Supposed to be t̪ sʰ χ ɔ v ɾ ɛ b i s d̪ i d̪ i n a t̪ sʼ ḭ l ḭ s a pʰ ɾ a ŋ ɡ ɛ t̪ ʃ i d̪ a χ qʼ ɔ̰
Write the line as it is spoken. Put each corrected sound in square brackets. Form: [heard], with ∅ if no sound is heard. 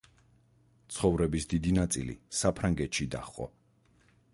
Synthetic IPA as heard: t̪ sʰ χ ɔ v ɾ ɛ b i s d̪ i d̪ i n a t̪ sʼ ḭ l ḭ s a pʰ ɾ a ŋ ɡ ɛ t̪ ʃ i d̪ a χ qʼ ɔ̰